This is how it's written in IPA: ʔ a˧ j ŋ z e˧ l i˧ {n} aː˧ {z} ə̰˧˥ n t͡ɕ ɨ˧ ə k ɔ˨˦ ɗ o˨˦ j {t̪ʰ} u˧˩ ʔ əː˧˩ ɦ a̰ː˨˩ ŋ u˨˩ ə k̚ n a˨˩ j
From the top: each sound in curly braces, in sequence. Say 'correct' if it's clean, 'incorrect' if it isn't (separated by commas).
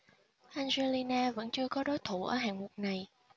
correct, incorrect, correct